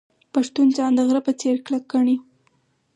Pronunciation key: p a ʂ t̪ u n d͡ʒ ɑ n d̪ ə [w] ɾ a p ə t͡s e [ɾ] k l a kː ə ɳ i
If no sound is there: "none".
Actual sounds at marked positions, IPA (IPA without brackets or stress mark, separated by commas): ɣ, ɾ